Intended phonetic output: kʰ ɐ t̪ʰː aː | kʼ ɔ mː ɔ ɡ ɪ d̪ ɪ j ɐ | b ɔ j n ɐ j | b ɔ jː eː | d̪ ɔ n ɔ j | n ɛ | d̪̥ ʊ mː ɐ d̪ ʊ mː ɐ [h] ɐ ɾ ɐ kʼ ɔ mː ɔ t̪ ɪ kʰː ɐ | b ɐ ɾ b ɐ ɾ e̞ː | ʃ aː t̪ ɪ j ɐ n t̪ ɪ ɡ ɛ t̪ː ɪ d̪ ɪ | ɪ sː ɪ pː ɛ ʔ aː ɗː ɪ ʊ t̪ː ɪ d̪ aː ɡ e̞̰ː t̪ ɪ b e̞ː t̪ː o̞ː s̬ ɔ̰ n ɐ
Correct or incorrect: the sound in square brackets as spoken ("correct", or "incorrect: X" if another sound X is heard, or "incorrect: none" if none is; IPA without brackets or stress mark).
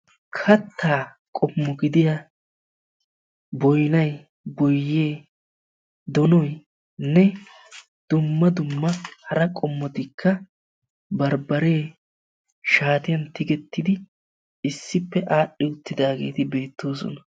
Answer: correct